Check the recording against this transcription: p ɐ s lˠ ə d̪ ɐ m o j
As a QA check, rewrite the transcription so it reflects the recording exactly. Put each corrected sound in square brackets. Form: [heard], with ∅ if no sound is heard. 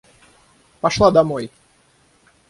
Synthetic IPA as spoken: p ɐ [ʂ] lˠ [a] d̪ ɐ m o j